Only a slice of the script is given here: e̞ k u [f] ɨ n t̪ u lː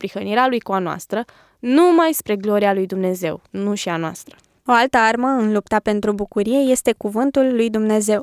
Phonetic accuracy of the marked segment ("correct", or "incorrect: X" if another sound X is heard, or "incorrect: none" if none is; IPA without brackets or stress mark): incorrect: v